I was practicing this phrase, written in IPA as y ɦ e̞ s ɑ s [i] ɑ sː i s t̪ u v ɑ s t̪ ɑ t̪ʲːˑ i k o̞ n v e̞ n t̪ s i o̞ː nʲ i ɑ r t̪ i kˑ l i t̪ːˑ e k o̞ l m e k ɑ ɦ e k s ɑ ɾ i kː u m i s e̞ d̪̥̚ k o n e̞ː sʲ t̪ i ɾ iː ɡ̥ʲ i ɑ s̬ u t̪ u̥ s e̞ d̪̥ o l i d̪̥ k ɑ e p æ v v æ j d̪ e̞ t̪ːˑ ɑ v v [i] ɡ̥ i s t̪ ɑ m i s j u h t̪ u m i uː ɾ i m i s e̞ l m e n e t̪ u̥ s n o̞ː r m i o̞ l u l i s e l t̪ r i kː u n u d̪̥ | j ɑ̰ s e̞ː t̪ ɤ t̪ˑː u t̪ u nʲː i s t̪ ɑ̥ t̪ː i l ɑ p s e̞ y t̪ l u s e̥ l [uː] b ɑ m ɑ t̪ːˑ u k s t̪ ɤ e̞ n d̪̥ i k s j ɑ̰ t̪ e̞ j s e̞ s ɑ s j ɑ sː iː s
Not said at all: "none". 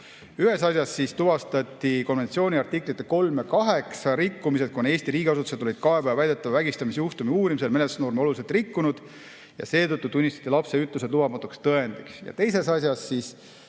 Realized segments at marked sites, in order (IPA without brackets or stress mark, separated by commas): j, æ, u